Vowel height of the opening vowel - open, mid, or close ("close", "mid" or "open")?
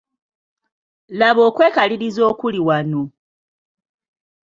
open